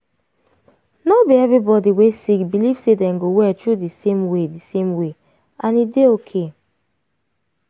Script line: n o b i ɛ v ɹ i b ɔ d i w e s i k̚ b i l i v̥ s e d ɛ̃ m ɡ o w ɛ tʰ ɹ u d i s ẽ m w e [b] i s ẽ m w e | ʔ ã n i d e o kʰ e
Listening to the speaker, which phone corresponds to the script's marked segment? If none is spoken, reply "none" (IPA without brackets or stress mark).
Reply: d